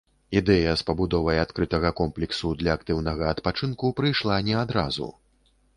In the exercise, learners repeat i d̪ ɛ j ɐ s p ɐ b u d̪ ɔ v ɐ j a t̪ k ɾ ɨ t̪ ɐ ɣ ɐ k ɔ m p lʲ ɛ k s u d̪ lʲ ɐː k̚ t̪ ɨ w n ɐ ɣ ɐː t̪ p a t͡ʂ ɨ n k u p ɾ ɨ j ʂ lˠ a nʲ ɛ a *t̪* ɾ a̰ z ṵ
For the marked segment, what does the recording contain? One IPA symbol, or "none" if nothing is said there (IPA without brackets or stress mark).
d̪